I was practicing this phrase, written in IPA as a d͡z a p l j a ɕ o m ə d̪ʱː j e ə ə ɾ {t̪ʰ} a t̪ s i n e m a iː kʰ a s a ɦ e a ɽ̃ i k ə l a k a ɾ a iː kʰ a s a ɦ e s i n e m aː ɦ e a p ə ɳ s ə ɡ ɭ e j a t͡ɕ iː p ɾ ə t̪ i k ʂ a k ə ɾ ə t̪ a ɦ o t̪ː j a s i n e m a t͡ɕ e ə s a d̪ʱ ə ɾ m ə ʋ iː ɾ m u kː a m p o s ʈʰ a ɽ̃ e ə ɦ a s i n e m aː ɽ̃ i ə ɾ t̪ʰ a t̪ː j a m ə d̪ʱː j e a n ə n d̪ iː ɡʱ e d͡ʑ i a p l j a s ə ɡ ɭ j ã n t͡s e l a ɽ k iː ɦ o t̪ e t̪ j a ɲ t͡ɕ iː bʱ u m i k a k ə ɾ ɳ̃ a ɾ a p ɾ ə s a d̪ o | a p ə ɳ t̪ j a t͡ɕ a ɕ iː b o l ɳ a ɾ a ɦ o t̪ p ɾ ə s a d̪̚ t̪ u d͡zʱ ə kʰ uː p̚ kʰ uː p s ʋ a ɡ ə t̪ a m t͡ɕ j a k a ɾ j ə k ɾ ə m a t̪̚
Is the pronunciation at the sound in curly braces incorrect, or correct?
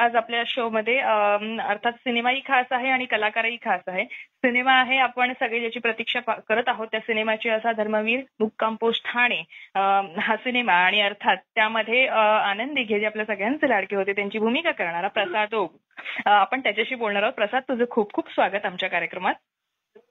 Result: correct